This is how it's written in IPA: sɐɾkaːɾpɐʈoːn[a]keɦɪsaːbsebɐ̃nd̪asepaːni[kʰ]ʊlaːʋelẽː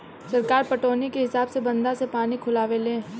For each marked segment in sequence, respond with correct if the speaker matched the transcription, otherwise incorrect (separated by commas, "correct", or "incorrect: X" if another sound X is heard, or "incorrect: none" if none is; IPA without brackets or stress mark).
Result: incorrect: i, correct